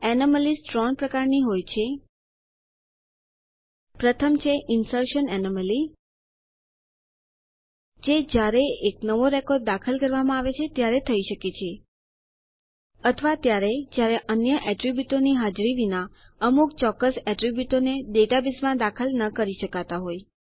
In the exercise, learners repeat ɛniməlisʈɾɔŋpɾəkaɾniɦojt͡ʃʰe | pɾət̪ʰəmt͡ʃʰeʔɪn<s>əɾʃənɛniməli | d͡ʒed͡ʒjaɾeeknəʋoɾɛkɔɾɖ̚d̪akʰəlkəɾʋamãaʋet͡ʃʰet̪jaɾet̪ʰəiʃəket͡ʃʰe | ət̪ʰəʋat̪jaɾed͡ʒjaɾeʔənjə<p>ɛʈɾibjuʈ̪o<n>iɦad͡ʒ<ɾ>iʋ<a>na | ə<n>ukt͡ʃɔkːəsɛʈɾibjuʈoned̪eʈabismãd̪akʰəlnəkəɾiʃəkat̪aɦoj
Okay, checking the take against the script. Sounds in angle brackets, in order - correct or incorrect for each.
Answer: correct, incorrect: ʔ, correct, correct, incorrect: i, incorrect: m

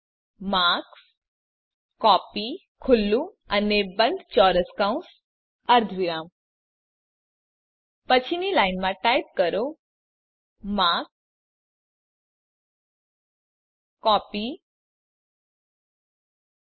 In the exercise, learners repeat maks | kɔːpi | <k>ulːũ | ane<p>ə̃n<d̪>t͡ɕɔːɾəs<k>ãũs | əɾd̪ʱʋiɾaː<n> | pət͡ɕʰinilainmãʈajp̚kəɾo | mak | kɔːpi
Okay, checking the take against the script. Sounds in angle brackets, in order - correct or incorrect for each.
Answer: incorrect: kʰ, incorrect: b, correct, correct, incorrect: m

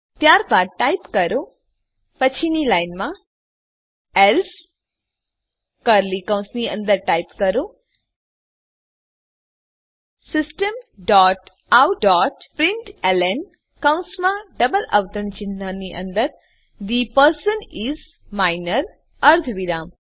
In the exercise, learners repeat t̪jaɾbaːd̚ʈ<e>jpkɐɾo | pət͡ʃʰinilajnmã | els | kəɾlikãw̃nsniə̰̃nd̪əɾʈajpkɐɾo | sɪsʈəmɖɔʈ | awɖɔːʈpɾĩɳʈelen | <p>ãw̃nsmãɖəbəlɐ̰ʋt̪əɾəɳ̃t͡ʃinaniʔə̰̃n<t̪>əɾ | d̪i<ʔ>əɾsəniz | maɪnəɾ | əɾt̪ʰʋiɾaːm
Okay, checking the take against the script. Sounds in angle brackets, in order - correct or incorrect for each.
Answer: incorrect: a, incorrect: k, incorrect: d̪, incorrect: p

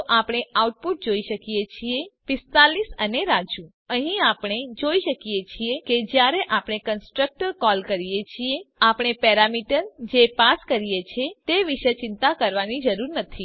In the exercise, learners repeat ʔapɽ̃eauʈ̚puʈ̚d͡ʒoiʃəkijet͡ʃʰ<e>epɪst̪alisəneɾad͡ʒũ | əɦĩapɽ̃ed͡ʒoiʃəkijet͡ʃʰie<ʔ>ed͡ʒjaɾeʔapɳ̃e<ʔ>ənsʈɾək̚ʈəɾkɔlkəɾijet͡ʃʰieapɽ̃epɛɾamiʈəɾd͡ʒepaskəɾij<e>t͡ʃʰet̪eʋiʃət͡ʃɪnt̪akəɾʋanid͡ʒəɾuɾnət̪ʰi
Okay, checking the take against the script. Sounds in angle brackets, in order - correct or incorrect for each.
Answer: incorrect: i, incorrect: k, incorrect: k, correct

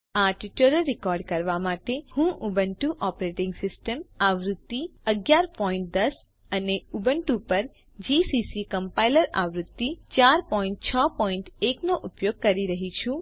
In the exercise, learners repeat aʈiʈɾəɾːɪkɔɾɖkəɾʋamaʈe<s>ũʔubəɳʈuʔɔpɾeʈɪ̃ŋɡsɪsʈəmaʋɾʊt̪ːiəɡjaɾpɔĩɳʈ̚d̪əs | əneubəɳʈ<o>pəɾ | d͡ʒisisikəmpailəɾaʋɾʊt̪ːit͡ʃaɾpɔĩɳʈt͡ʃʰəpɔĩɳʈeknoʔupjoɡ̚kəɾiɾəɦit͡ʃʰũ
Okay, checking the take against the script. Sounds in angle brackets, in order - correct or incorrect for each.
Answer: incorrect: h, incorrect: u

